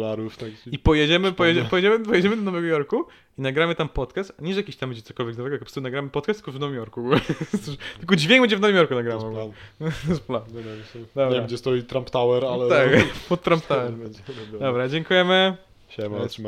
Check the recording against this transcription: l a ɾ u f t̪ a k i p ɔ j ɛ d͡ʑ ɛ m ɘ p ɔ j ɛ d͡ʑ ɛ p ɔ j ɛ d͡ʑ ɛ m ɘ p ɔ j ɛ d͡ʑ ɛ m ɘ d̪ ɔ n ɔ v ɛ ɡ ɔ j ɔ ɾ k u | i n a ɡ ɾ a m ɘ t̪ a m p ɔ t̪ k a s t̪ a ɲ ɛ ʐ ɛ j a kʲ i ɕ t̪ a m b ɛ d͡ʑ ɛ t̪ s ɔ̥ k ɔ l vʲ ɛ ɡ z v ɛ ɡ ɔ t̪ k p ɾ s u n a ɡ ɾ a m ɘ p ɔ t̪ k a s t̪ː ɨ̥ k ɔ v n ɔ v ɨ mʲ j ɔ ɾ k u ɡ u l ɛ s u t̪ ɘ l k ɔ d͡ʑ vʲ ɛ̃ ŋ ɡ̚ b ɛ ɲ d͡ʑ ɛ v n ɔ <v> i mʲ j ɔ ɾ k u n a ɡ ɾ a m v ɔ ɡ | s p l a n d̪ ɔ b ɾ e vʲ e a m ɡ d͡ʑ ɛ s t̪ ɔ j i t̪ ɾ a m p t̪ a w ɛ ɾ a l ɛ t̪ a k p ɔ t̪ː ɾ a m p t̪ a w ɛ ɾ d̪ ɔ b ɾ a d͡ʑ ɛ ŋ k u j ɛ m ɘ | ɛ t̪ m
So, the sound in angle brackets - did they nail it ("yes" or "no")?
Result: yes